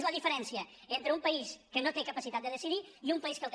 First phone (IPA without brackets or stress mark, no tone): z